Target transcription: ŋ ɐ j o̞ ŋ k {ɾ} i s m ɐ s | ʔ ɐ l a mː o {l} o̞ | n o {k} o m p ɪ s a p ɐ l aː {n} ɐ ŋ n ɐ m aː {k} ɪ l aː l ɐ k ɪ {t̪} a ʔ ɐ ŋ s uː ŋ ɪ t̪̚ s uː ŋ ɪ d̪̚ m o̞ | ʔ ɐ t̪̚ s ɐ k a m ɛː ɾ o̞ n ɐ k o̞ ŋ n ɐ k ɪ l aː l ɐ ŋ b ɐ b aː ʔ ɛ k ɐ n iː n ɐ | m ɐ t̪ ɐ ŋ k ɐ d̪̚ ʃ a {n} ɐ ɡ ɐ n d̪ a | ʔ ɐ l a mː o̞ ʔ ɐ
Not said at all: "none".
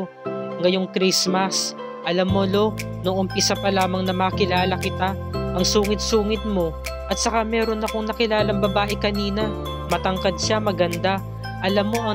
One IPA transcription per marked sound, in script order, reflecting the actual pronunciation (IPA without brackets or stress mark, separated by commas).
ɾ, l, ʔ, m, k, t̪, m